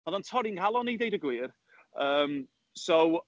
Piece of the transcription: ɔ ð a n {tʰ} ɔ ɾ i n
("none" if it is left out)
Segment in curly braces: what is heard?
tʰ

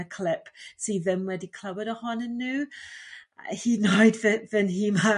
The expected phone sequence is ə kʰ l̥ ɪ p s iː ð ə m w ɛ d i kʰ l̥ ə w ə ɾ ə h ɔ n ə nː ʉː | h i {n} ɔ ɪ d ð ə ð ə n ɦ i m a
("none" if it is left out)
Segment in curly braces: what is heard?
n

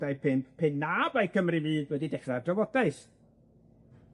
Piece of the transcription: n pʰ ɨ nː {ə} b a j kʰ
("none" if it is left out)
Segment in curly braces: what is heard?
a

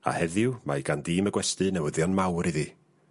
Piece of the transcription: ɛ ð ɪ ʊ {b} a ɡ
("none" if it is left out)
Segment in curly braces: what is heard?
m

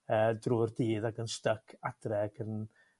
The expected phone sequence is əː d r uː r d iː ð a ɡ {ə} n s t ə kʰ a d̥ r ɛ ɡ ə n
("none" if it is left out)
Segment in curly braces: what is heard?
ə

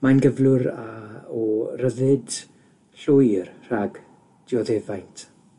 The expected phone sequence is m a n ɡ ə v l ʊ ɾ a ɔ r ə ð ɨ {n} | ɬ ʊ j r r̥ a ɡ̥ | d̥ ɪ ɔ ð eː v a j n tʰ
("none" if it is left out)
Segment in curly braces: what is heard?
d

